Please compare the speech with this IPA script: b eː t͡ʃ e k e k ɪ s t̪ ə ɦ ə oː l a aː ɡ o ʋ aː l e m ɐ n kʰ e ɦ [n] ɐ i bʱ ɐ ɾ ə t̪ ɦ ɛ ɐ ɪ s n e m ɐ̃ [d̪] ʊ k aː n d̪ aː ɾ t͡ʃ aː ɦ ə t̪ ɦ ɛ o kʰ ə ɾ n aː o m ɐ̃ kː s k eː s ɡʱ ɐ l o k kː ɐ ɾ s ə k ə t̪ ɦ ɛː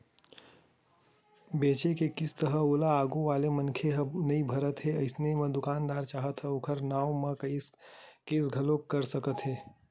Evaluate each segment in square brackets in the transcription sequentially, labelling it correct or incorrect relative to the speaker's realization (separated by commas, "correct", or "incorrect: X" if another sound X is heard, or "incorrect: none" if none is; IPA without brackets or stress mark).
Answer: correct, correct